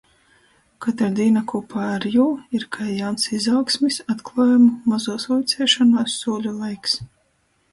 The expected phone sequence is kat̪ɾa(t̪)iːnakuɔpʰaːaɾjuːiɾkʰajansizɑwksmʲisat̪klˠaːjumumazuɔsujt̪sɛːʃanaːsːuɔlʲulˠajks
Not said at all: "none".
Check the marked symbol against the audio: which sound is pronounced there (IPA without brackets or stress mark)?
d̪